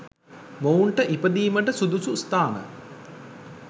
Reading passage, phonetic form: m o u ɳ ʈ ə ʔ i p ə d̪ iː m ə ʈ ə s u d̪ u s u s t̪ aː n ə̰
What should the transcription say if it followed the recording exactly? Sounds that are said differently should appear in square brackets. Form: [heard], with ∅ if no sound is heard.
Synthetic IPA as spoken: m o u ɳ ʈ ə ʔ i p ə d̪ iː m ə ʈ ə s u d̪ u s u s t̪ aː n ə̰